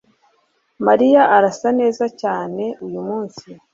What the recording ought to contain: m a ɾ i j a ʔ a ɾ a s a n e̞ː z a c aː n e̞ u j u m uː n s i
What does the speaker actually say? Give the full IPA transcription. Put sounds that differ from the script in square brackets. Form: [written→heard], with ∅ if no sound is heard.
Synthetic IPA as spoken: m a ɾ i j a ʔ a ɾ a s a n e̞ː z a c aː n e̞ u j u m uː n s i